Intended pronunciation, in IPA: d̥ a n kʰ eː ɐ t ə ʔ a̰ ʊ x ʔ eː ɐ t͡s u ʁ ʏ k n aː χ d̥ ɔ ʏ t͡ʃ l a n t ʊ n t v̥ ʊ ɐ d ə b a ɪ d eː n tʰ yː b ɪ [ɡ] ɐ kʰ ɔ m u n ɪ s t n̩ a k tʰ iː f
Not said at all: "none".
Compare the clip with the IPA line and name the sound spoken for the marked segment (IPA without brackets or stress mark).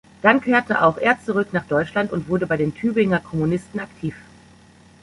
ŋ